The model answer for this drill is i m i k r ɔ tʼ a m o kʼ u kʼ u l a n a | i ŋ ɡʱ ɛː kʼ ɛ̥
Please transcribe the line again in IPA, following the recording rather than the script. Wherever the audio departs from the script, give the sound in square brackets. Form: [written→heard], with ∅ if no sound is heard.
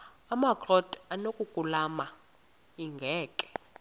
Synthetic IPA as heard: [i→a] m [i→a] k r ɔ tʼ a [m→n] o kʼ u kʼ u l a [n→m] a | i ŋ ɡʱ ɛː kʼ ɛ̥